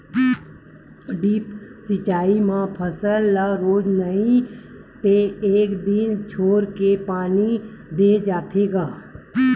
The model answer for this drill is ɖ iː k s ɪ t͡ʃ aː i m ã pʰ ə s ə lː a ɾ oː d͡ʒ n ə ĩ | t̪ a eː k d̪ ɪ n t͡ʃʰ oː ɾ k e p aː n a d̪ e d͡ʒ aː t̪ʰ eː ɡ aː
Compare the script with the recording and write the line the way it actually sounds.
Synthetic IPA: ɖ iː p s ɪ t͡ʃ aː i m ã pʰ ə s ə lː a ɾ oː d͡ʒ n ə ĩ | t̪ e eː k d̪ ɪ n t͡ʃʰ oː ɾ k e p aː n i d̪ e d͡ʒ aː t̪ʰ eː ɡ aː

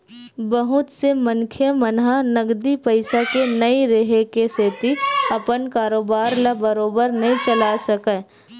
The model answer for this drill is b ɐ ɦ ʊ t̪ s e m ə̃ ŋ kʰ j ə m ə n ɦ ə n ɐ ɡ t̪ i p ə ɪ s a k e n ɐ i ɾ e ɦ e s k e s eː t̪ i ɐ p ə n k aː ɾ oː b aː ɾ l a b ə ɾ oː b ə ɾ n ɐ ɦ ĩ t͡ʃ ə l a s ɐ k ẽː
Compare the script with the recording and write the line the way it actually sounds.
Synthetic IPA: b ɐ ɦ ʊ t̪ s e m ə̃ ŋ kʰ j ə m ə n ɦ a n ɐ ɡ d̪ i p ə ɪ s a k e n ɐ i ɾ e ɦ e k e s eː t̪ i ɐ p ə n k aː ɾ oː b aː ɾ l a b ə ɾ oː b ə ɾ n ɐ ɦ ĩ t͡ʃ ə l a s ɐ k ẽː

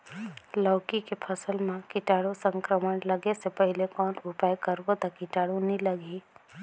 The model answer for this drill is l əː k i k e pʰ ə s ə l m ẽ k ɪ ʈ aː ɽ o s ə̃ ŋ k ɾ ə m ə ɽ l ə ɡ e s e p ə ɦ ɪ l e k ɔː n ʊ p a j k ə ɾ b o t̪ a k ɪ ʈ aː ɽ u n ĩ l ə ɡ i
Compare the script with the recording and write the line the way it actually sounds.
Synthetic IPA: l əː k i k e pʰ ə s ə l m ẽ k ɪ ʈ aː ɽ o s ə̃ ŋ k ɾ ə m ə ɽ l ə ɡ e s e p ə ɦ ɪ l e k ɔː n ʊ p a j k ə ɾ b o t̪ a k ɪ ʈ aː ɽ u n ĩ l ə ɡ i

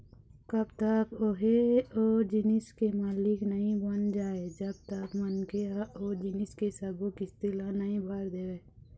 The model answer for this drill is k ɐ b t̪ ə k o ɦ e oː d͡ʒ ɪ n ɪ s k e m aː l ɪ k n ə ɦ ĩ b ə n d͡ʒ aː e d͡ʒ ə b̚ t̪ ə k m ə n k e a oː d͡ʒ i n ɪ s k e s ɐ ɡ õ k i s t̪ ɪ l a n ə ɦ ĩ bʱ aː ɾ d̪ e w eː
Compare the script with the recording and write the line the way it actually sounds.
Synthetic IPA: k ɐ b t̪ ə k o ɦ e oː d͡ʒ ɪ n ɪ s k e m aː l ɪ k n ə ɦ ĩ b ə n d͡ʒ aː e d͡ʒ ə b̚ t̪ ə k m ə n k e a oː d͡ʒ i n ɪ s k e s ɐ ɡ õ k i s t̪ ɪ l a n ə ɦ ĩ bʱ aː ɾ d̪ e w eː

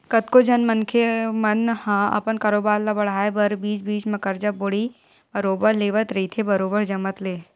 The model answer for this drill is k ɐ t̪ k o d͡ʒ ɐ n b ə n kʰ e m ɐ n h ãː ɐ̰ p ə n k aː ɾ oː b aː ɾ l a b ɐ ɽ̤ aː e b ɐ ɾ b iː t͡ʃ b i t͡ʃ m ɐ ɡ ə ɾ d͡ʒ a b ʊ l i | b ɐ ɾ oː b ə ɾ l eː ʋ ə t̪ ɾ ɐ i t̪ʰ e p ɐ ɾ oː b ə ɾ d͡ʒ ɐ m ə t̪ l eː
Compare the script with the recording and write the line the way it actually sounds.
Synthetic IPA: k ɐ t̪ k o d͡ʒ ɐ n m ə n kʰ e m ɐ n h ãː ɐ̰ p ə n k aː ɾ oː b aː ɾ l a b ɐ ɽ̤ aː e b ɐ ɾ b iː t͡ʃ b iː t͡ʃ m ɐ k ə ɾ d͡ʒ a b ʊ ɽ i | b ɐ ɾ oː b ə ɾ l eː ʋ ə t̪ ɾ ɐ i t̪ʰ e b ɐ ɾ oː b ə ɾ d͡ʒ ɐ m ə t̪ l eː

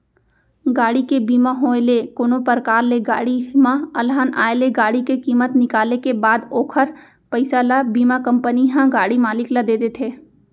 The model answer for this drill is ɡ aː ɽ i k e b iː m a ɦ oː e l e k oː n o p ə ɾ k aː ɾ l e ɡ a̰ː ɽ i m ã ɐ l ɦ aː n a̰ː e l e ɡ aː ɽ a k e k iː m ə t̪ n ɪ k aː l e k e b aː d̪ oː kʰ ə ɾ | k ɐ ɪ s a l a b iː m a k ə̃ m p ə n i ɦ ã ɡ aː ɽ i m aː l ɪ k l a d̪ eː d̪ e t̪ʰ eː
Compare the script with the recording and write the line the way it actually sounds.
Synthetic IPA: ɡ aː ɽ i k e b iː m a ɦ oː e l e k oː n o p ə ɾ k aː ɾ l e ɡ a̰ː ɽ i m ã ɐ l ɦ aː n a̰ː e l e ɡ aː ɽ i k e k iː m ə t̪ n ɪ k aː l e k e b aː d̪ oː kʰ ə ɾ | p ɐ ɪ s a l a b iː m a k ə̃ m p ə n i ɦ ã ɡ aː ɽ i m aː l ɪ k l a d̪ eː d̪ e t̪ʰ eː

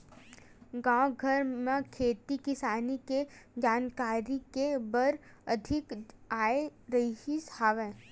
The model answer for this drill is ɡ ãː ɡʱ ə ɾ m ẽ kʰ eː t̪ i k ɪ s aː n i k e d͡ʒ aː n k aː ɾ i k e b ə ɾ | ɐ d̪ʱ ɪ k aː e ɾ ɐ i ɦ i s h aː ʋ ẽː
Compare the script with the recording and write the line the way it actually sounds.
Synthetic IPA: ɡ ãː ɡʱ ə ɾ m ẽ kʰ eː t̪ i k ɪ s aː n i k e d͡ʒ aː n k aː ɾ i k e b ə ɾ | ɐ d̪ʱ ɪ k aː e ɾ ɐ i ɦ i s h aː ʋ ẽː

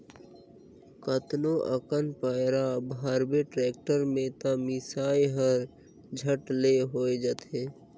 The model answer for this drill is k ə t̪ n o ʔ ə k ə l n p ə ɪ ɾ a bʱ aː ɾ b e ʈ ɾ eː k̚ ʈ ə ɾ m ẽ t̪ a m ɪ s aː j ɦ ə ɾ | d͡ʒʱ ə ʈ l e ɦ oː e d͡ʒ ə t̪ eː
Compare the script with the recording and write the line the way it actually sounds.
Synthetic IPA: k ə t̪ n o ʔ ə k ə n p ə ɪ ɾ a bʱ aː ɾ b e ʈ ɾ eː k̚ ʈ ə ɾ m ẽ t̪ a m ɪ s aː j ɦ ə ɾ | d͡ʒʱ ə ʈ l e ɦ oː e d͡ʒ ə t̪ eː

